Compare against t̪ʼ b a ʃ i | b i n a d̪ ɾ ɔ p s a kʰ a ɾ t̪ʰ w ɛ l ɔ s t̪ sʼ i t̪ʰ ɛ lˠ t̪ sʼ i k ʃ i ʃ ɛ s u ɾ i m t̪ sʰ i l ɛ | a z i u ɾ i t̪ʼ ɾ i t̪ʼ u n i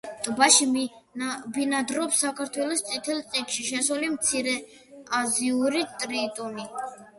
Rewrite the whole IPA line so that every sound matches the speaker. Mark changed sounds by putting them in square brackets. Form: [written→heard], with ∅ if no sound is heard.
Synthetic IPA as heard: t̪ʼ b a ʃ i | b i n a d̪ ɾ ɔ p s a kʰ a ɾ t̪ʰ w ɛ l ɔ s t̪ sʼ i t̪ʰ ɛ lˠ t̪ sʼ i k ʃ i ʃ ɛ s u [ɾ→l] i m t̪ sʰ i [l→ɾ] ɛ | a z i u ɾ i t̪ʼ ɾ i t̪ʼ u n i